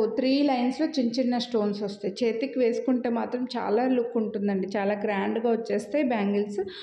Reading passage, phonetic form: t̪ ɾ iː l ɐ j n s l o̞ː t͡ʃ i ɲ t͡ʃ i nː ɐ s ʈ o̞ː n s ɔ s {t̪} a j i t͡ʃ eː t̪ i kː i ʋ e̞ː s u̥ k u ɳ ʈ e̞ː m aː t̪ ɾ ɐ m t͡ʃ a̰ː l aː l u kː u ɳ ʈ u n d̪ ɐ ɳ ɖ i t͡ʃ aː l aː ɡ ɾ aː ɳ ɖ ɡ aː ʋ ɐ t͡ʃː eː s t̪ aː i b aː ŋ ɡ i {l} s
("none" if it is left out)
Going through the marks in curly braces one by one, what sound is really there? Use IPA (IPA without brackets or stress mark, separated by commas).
t̪, l